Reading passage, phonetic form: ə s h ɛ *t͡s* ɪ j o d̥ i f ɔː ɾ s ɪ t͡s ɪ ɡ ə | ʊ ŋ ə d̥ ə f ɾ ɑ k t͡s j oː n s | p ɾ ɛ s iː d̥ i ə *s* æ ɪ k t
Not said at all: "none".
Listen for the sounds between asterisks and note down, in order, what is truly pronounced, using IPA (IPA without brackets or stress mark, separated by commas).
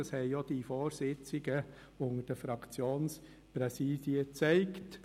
none, t͡s